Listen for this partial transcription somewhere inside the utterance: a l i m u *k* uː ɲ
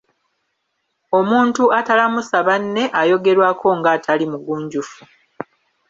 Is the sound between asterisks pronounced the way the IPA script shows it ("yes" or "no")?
no